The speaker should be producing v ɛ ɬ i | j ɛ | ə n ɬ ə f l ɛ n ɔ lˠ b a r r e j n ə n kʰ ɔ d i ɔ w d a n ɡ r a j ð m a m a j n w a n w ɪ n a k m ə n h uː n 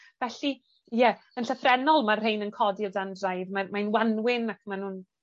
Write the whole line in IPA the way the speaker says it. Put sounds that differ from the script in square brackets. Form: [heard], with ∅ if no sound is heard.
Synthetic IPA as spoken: v ɛ ɬ i | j ɛ | ə n ɬ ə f [r] ɛ n ɔ lˠ [m] a r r e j n ə n kʰ ɔ d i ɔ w d a n [d] r a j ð m a m a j n w a n w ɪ n a k m [a] n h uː n